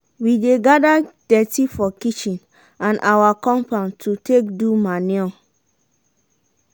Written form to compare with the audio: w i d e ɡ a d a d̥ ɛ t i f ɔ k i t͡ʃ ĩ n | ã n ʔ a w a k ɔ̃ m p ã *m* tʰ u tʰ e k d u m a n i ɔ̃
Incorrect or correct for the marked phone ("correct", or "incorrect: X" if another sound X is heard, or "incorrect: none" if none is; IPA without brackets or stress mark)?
incorrect: n